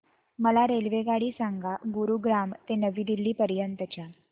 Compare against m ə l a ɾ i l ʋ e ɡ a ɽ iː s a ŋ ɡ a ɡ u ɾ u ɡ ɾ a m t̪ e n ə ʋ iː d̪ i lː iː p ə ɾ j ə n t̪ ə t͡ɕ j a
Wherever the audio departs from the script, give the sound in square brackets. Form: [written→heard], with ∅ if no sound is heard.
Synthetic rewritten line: m ə l a ɾ [i→e] l ʋ e ɡ a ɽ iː s a ŋ ɡ a ɡ u ɾ u ɡ ɾ a m t̪ e n ə ʋ iː d̪ i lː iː p ə ɾ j ə n t̪ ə t͡ɕ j a